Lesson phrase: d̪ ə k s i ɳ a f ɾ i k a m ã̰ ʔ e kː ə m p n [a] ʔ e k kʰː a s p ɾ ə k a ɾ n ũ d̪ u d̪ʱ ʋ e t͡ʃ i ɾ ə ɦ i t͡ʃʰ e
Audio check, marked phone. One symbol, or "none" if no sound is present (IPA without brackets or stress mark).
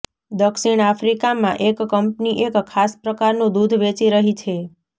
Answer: i